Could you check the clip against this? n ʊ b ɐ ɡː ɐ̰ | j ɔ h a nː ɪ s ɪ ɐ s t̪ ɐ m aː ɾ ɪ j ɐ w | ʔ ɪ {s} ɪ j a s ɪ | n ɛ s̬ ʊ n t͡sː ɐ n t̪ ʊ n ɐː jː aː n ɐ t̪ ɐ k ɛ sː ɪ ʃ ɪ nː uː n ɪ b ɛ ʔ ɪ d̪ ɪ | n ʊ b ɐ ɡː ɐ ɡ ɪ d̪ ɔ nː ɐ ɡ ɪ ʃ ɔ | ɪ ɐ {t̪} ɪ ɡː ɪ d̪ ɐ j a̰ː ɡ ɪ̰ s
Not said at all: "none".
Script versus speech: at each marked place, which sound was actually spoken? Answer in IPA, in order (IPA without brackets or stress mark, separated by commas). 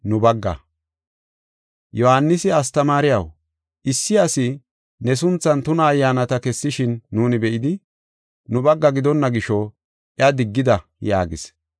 sː, d̪